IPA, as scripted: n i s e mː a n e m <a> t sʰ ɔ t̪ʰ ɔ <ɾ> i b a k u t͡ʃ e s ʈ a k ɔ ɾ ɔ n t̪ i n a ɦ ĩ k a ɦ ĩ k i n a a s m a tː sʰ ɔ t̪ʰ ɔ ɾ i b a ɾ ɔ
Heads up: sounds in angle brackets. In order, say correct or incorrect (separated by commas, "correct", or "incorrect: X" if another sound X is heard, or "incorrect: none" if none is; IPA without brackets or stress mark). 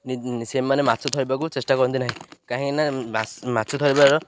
correct, correct